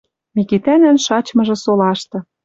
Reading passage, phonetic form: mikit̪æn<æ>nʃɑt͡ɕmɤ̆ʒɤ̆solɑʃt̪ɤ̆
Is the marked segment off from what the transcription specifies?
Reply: no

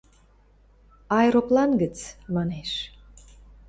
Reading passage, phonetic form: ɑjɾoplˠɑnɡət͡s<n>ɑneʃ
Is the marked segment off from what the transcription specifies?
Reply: yes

